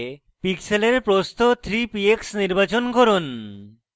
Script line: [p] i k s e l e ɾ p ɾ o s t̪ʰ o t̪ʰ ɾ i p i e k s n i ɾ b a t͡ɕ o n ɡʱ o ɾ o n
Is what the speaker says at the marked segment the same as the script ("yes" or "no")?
yes